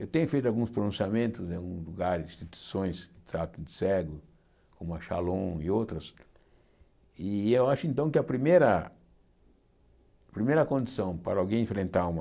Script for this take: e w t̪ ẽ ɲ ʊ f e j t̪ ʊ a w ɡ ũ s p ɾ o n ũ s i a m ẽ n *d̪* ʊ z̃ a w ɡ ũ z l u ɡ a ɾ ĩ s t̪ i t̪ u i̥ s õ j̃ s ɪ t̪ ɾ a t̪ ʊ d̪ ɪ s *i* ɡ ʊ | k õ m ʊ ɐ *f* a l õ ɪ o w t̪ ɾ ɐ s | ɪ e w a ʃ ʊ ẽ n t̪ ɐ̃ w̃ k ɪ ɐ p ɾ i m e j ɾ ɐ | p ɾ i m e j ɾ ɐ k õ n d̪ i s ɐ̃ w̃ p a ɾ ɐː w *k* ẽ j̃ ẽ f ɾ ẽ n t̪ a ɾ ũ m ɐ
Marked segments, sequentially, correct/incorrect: incorrect, incorrect, incorrect, incorrect

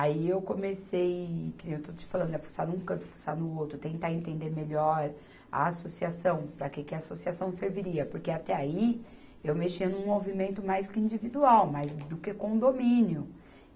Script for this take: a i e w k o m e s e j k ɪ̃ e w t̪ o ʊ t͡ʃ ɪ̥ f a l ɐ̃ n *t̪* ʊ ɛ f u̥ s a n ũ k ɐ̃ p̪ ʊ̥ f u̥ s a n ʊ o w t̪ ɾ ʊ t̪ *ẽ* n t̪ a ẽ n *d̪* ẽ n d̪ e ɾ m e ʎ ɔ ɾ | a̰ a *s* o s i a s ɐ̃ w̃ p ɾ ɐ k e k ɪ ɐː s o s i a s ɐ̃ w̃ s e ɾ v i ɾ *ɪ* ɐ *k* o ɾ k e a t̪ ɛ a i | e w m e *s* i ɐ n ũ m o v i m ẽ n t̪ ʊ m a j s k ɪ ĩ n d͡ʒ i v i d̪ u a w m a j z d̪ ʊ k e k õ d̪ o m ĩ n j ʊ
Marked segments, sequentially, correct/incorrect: incorrect, correct, incorrect, correct, incorrect, incorrect, incorrect

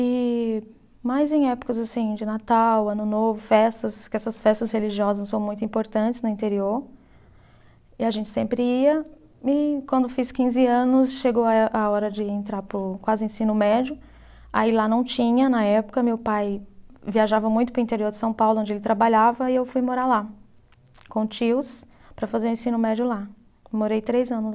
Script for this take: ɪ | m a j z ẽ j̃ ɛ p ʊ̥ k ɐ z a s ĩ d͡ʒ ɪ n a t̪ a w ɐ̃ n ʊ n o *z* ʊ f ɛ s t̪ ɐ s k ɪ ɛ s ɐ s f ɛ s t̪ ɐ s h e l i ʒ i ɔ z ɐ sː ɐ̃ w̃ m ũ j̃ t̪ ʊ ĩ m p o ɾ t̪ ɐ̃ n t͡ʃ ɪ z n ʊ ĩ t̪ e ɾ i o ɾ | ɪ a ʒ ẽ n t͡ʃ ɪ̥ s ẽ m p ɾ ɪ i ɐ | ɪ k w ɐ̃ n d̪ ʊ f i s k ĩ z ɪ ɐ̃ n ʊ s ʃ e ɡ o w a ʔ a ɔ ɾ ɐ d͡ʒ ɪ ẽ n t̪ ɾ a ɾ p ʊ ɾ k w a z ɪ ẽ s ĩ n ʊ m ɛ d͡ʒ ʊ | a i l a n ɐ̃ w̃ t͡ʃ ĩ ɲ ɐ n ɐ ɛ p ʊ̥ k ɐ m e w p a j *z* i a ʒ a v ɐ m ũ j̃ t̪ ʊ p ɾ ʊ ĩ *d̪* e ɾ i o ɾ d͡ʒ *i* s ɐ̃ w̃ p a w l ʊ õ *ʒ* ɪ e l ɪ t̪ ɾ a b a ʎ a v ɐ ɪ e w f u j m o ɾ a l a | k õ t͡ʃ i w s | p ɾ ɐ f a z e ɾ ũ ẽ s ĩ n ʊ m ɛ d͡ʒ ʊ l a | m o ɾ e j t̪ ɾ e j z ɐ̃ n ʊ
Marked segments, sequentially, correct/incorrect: incorrect, incorrect, incorrect, incorrect, incorrect

